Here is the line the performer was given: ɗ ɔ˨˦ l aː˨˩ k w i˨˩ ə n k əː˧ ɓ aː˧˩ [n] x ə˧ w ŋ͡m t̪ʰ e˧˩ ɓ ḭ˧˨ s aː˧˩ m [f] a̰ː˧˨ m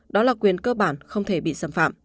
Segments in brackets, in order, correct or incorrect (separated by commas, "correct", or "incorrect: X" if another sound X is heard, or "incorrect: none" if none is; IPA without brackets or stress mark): correct, correct